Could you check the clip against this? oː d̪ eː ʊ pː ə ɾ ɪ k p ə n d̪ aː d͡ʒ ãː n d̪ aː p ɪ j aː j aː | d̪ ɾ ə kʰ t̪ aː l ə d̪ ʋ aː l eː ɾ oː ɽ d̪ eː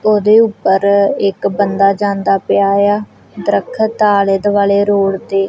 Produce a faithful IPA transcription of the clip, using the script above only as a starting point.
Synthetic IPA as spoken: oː d̪ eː ʊ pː ə ɾ ɪ k b ə n d̪ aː d͡ʒ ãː n d̪ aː p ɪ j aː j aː | d̪ ɾ ə kʰ t̪ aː l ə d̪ ʋ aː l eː ɾ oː ɽ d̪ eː